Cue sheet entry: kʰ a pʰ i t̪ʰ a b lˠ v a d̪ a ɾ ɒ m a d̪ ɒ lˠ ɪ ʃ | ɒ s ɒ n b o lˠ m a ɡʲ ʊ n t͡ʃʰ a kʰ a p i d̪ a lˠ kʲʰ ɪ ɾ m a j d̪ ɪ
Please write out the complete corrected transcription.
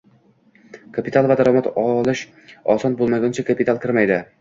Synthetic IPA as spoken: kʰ a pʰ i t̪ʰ a lˠ v a d̪ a ɾ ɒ m a t̪ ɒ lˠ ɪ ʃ | ɒ s ɒ n b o lˠ m a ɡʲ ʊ n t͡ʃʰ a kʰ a p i t̪ a lˠ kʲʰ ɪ ɾ m a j d̪ ɪ